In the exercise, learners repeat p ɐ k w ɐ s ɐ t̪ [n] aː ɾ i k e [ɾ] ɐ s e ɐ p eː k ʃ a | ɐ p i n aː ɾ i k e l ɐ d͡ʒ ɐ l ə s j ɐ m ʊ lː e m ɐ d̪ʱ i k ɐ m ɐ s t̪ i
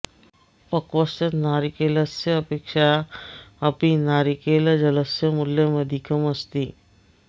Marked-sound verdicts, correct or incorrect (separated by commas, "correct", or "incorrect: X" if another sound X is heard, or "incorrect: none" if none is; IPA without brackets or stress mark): correct, incorrect: l